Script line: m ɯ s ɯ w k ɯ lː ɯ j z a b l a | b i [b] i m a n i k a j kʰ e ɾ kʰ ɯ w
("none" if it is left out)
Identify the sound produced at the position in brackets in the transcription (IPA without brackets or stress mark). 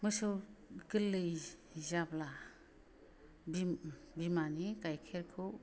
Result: b